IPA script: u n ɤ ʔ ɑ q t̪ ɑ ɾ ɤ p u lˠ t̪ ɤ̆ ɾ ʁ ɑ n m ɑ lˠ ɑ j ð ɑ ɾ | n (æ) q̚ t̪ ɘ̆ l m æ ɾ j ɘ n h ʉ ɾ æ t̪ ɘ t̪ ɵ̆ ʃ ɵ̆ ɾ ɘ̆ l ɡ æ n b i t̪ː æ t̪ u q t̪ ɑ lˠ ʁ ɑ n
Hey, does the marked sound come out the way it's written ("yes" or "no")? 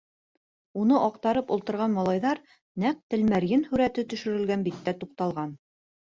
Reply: yes